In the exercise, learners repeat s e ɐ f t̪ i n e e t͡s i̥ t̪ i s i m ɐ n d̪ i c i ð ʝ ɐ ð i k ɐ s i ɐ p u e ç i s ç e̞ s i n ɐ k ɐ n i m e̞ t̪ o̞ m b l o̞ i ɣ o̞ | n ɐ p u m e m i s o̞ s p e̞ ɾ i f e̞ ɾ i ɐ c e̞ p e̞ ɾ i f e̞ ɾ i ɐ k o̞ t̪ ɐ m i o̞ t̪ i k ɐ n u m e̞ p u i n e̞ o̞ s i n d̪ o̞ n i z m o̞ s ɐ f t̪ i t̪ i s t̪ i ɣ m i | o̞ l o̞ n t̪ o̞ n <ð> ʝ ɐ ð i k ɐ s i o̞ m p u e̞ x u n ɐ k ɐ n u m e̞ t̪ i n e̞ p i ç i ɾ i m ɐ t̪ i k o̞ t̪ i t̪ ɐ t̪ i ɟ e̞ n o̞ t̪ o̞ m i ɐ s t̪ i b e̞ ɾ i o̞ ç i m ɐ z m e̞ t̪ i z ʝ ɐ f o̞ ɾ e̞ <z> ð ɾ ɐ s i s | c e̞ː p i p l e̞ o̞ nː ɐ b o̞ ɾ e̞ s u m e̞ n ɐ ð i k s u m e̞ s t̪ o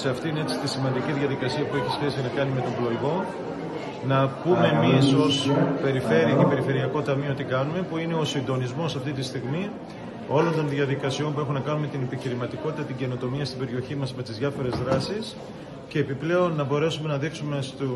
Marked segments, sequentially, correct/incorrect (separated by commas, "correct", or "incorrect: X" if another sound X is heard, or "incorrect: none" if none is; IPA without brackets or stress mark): correct, correct